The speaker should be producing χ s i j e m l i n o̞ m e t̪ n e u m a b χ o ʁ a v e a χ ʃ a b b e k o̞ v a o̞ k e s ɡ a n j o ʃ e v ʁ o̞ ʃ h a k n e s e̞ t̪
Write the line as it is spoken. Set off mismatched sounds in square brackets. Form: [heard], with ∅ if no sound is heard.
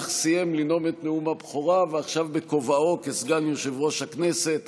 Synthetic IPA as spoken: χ s i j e m l i n o̞ m e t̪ n e u m a b χ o ʁ a v e a χ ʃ a [v] b e k o̞ v a o̞ k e s ɡ a n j o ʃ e v ʁ o̞ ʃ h a k n e s e̞ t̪